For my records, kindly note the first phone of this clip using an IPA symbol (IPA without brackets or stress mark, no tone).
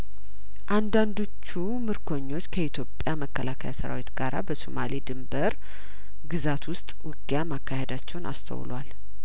ʔ